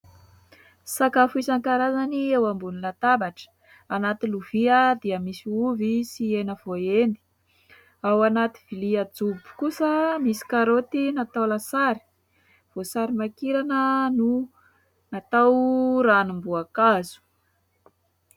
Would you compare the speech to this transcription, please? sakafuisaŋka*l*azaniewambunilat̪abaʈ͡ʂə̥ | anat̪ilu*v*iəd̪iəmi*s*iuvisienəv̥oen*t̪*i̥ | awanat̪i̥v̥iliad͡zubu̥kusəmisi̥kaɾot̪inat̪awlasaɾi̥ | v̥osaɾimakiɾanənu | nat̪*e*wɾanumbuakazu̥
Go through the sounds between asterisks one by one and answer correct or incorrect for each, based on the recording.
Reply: incorrect: ɾ, correct, correct, incorrect: d̪, incorrect: a

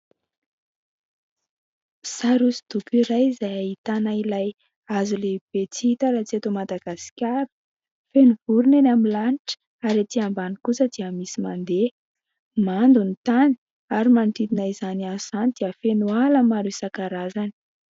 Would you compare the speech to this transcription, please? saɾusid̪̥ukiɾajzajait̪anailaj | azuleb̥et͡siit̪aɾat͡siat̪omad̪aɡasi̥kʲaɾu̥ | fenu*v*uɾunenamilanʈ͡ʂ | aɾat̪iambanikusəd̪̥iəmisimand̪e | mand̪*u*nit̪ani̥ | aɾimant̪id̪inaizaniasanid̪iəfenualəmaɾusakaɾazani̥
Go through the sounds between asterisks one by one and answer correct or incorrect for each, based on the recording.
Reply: correct, correct

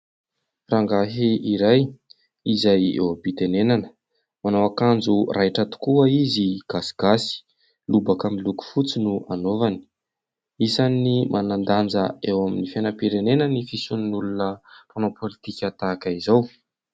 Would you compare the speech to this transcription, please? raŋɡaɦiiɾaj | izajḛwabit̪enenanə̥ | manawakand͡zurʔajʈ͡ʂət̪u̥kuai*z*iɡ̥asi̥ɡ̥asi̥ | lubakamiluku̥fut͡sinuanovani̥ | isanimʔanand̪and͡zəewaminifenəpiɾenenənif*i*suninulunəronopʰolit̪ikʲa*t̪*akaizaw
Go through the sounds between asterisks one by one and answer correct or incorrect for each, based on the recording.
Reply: correct, correct, correct

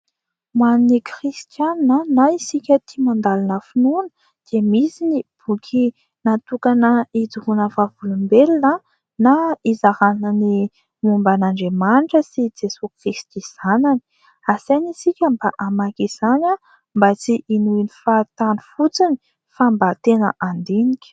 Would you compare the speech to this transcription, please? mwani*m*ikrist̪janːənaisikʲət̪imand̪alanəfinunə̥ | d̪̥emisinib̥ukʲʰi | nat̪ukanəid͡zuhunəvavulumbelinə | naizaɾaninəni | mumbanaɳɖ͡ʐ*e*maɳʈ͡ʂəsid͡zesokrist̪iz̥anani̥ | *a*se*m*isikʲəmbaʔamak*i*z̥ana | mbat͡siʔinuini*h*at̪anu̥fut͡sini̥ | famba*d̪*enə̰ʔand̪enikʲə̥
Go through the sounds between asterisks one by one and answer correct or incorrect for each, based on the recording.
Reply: incorrect: n, correct, correct, incorrect: n, correct, incorrect: f, incorrect: t̪

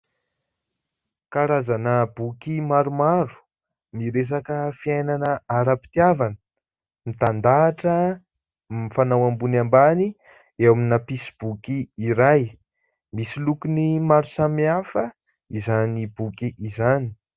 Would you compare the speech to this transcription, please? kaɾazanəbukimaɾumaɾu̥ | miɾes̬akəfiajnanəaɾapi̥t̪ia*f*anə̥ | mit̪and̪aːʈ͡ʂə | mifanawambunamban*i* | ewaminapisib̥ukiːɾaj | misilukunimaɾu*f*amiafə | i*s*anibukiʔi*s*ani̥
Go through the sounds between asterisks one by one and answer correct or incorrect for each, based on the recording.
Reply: incorrect: v, correct, incorrect: s, incorrect: z, incorrect: z

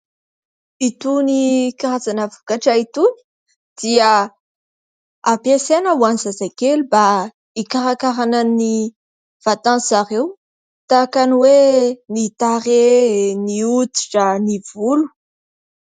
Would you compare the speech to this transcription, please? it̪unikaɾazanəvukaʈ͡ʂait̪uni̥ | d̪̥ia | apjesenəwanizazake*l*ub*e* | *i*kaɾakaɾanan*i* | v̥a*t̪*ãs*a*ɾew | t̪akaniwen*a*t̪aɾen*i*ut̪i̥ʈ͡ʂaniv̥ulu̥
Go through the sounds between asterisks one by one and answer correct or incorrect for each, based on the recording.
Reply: correct, incorrect: a, correct, correct, correct, correct, incorrect: i, correct

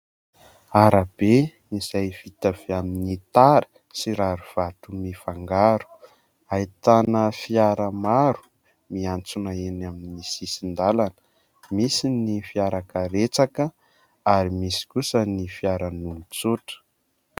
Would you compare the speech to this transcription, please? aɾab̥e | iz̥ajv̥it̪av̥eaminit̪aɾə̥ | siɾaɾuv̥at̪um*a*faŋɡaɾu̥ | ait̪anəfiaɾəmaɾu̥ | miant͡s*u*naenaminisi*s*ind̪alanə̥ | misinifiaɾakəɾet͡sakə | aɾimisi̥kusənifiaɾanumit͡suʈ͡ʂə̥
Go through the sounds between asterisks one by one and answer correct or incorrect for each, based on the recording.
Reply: incorrect: i, correct, correct

